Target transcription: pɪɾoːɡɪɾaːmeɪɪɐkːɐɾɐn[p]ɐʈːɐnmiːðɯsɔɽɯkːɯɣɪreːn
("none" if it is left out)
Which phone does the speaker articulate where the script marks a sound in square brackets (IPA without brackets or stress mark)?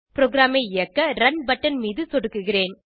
b